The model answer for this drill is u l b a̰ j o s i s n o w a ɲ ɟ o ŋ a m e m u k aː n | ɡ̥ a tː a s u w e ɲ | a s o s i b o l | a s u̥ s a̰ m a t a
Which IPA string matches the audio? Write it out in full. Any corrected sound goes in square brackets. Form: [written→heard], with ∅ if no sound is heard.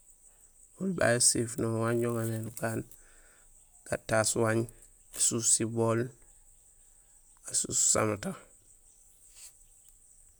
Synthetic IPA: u l b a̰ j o s i [s→f] n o w a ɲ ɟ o ŋ a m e [m→n] u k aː n | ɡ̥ a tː a s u w [e→a] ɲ | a s [o→u] s i b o l | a s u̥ s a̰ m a t a